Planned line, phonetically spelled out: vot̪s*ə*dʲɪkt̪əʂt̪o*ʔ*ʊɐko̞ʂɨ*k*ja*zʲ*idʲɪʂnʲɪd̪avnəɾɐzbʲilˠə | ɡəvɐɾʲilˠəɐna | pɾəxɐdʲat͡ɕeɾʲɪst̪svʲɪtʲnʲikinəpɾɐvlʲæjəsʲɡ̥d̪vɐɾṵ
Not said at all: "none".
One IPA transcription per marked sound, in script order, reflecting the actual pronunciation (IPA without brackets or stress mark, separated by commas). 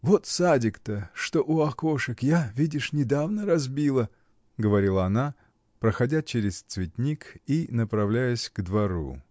a, ʔ, k, vʲ